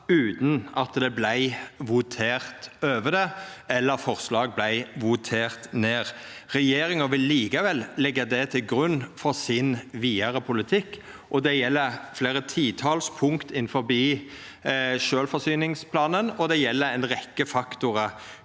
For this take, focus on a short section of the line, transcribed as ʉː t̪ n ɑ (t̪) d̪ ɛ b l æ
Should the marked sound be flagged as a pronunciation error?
no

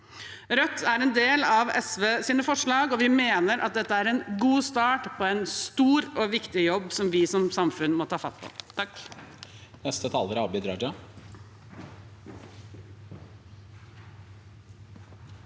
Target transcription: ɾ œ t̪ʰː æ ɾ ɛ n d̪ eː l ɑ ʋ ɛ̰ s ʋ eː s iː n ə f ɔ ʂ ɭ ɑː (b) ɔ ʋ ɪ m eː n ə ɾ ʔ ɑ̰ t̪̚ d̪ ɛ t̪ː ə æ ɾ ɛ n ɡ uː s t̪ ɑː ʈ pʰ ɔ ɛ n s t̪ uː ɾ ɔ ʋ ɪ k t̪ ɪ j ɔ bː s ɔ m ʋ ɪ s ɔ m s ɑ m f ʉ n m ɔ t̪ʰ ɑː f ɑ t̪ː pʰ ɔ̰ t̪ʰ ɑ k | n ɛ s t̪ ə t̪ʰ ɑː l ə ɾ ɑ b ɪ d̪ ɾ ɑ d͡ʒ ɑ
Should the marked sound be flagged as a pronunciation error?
yes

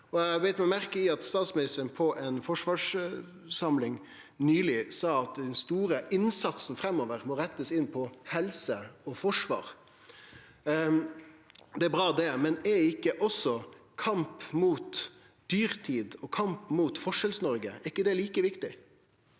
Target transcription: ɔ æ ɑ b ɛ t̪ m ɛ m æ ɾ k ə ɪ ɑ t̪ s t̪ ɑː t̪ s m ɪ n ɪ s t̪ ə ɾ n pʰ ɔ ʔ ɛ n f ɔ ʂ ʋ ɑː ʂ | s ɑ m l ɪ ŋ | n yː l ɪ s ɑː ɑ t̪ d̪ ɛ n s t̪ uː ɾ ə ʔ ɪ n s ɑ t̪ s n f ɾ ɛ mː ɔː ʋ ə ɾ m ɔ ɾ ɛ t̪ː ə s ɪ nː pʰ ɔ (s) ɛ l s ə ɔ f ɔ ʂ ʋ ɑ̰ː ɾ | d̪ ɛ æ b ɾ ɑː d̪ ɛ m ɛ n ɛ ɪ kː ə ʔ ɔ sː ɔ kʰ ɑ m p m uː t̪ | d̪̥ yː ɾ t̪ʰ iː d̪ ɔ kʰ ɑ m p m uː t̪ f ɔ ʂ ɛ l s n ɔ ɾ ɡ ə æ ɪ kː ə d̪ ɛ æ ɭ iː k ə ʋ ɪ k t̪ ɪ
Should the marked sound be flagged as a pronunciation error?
yes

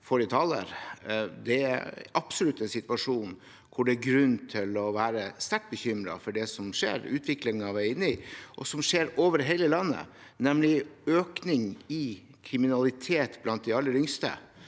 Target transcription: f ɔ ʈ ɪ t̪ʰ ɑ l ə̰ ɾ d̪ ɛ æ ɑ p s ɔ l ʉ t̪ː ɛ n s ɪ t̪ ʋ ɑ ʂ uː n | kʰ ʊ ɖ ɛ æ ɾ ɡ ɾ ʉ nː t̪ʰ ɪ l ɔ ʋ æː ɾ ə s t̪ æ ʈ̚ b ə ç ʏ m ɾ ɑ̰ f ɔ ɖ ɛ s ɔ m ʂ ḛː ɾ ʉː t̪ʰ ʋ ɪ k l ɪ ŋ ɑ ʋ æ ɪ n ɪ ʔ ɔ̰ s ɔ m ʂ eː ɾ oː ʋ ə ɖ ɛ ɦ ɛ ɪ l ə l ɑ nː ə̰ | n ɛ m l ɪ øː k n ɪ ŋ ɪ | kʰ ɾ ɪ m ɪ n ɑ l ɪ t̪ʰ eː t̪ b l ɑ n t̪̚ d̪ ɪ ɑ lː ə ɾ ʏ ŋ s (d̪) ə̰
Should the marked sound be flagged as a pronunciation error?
yes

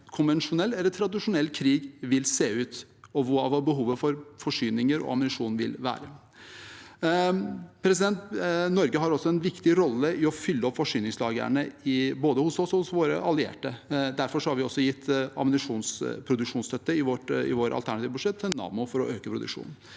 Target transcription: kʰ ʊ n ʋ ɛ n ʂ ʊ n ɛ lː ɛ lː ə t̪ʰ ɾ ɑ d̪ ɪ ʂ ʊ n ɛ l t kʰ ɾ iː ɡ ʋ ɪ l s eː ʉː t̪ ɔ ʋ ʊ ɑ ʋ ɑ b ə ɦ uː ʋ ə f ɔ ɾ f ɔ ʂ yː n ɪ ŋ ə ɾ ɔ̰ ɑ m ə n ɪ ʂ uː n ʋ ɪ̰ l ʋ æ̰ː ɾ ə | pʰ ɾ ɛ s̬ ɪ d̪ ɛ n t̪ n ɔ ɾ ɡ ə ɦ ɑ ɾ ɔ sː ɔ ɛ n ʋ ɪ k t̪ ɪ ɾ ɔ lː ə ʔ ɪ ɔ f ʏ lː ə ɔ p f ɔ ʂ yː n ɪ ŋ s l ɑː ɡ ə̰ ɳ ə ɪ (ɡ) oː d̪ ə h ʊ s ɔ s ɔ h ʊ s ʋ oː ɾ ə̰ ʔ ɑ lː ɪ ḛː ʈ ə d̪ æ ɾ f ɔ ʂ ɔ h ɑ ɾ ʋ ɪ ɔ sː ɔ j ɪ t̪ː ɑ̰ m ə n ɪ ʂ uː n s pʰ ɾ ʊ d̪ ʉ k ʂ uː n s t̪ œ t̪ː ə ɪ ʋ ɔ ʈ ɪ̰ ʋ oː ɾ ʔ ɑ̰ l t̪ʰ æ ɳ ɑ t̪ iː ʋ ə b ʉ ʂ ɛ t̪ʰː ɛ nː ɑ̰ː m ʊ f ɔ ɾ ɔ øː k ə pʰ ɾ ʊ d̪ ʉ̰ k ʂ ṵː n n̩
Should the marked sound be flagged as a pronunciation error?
yes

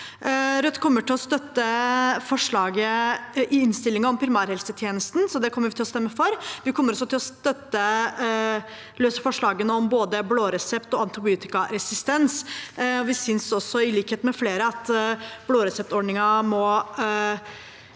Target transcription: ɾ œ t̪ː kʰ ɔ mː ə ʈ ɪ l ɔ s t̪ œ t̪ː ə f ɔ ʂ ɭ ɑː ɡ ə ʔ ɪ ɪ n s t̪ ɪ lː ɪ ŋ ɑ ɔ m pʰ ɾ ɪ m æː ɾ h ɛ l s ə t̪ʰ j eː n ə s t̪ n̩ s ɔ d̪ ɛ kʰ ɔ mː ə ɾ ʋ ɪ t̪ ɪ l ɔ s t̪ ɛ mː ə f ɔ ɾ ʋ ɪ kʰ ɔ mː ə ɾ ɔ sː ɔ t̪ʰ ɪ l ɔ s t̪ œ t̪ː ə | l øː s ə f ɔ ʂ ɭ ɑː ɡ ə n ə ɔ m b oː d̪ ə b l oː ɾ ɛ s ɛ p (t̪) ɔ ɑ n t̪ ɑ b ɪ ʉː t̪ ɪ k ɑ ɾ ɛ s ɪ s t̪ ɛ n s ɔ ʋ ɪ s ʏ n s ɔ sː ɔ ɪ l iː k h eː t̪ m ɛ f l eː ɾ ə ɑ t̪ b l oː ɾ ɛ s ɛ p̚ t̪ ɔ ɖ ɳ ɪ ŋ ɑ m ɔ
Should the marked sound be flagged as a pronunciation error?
no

